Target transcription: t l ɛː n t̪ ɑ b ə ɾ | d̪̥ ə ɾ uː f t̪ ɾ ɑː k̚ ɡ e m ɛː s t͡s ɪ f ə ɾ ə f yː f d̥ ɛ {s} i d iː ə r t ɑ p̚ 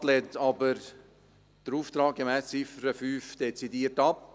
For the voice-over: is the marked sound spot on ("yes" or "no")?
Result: no